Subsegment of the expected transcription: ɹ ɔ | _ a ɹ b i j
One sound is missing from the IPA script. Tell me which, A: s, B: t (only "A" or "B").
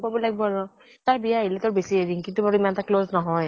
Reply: B